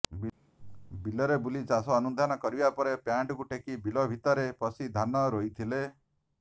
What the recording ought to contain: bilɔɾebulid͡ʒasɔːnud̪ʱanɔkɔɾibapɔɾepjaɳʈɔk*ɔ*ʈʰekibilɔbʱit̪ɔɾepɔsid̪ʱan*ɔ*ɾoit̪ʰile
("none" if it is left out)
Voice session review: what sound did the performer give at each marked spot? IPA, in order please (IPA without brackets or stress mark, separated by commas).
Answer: u, ɔ